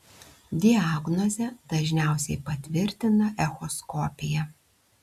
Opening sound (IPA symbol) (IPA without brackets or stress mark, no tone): d̪ʲ